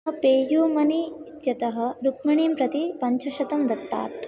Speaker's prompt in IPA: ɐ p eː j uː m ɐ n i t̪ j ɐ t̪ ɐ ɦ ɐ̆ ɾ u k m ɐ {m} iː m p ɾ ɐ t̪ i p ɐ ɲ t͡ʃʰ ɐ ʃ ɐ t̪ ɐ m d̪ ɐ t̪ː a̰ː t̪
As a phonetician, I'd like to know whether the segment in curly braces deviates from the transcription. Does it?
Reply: yes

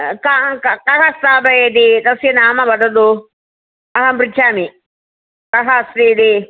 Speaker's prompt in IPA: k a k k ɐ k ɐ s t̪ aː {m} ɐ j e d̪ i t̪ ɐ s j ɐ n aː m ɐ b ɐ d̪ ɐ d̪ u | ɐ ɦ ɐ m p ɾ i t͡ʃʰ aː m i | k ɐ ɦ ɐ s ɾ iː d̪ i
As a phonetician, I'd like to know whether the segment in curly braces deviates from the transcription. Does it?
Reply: yes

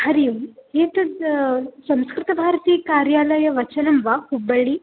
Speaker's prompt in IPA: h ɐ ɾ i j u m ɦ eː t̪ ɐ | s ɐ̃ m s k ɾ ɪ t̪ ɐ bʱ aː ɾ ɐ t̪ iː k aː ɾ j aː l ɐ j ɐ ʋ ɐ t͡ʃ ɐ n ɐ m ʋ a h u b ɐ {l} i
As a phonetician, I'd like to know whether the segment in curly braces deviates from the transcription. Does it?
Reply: yes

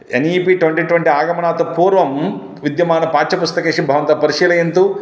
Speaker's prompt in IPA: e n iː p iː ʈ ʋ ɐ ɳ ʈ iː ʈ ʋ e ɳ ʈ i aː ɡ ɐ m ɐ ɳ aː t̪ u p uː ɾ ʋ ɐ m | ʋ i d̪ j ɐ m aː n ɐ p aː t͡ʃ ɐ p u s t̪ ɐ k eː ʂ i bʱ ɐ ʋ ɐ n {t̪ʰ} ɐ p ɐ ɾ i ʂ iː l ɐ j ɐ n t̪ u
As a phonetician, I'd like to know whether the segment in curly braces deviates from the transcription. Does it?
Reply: yes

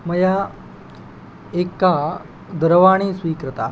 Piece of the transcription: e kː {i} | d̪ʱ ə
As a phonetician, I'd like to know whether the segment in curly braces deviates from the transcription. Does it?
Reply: yes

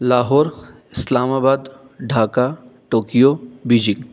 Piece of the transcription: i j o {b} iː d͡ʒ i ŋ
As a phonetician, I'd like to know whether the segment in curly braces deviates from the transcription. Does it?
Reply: no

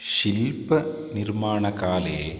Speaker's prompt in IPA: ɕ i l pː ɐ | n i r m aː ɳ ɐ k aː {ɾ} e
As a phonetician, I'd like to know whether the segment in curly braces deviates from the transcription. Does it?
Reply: yes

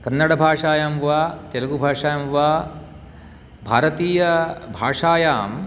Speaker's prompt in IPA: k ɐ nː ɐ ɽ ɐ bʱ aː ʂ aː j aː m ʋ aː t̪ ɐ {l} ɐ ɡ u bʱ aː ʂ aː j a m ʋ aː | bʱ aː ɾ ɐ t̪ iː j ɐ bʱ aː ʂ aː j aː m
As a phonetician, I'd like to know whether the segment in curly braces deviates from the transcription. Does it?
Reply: no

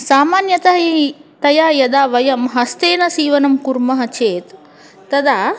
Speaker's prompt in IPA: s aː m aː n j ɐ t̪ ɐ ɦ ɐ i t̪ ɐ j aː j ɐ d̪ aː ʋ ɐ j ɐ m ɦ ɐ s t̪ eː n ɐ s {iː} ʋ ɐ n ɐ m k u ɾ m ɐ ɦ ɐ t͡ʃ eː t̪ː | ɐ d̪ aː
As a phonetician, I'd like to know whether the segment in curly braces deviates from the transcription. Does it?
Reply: no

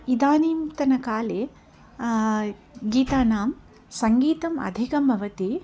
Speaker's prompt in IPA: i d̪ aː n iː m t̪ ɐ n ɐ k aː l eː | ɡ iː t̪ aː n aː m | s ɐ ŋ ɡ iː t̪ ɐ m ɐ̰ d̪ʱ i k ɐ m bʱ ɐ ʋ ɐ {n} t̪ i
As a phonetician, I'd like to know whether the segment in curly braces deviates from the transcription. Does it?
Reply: yes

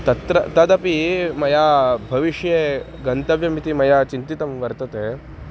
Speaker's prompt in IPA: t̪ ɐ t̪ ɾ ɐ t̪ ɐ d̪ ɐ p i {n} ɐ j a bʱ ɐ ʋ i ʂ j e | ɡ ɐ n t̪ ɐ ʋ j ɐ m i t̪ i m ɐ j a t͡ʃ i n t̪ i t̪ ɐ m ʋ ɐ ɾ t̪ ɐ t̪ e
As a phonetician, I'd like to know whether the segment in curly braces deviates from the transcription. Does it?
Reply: yes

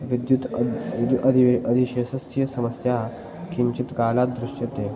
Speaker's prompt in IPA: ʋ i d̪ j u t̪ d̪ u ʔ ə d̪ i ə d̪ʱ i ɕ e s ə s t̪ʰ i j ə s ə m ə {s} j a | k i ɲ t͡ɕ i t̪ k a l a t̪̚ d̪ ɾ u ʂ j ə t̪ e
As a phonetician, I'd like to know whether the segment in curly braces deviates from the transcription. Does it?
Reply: no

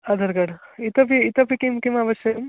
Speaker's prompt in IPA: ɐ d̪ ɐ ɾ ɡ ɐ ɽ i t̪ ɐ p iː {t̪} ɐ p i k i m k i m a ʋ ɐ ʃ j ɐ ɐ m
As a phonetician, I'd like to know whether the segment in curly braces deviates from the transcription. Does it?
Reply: no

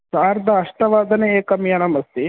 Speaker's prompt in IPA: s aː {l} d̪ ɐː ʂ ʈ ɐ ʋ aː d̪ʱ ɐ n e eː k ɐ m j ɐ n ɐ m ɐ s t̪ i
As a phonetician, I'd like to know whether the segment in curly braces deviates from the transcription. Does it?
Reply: yes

